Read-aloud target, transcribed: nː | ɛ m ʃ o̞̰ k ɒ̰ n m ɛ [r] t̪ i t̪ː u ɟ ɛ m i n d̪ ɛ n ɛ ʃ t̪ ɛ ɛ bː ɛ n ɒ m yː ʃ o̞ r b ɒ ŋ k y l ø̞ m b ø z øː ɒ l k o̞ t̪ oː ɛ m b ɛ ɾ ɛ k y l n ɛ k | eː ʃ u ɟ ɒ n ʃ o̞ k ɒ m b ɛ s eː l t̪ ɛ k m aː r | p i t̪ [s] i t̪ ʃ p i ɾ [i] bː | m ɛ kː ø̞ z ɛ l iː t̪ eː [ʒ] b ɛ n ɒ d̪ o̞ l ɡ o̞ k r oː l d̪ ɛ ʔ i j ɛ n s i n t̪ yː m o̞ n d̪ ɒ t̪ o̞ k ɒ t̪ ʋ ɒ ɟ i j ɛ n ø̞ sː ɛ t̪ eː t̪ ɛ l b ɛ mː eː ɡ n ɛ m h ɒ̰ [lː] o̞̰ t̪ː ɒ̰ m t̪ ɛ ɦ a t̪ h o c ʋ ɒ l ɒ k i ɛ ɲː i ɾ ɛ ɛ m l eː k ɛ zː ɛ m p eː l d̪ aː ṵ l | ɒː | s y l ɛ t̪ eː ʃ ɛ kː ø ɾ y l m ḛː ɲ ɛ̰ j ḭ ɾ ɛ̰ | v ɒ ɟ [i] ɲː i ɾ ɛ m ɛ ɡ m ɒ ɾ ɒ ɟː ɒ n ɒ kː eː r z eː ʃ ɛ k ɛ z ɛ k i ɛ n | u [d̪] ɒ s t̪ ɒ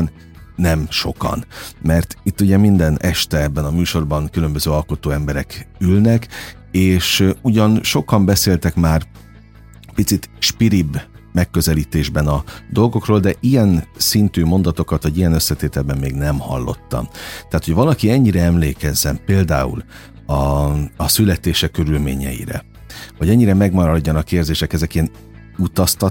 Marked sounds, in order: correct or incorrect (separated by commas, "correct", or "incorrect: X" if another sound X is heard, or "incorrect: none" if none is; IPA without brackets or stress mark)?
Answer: correct, correct, correct, correct, correct, incorrect: ɛ, incorrect: t̪